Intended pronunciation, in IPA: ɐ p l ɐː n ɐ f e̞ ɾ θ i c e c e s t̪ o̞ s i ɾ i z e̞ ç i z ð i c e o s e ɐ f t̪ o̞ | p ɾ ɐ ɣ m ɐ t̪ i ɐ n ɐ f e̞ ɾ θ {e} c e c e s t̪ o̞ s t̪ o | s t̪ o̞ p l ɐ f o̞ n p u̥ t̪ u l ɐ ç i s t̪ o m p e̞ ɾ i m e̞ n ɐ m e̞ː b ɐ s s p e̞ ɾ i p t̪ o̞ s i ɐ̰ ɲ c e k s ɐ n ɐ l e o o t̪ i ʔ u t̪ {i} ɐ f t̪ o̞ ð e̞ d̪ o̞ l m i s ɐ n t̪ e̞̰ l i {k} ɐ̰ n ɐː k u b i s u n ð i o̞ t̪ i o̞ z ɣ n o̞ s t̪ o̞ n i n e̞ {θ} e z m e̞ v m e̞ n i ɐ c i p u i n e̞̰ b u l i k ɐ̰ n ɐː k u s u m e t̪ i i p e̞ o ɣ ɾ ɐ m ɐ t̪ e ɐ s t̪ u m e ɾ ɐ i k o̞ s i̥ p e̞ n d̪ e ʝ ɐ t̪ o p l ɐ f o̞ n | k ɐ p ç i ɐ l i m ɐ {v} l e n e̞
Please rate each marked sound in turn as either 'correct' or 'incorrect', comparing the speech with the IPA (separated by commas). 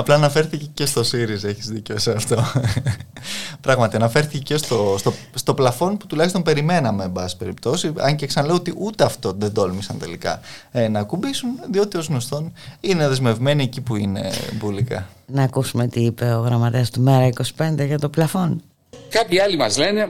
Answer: incorrect, incorrect, correct, incorrect, incorrect